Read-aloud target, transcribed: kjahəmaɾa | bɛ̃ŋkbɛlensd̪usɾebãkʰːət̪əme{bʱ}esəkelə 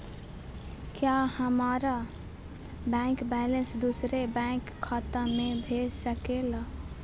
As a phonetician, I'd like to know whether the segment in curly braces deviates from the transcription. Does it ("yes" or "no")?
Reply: no